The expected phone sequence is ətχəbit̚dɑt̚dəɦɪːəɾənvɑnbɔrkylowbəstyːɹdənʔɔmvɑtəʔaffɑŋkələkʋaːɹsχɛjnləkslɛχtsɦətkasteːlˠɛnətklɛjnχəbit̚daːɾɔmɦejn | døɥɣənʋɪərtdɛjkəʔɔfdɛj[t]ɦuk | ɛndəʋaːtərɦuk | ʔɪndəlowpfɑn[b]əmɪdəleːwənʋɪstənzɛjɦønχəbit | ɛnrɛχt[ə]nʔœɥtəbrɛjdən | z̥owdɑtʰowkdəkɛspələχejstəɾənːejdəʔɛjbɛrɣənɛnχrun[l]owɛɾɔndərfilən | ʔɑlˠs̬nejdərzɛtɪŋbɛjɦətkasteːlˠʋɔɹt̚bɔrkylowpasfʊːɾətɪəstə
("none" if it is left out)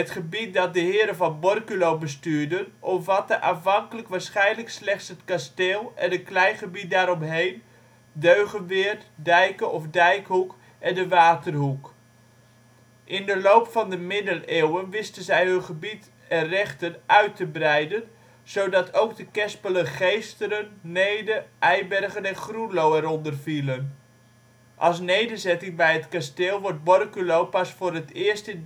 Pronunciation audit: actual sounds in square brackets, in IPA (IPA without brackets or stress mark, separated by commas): k, d, ə, l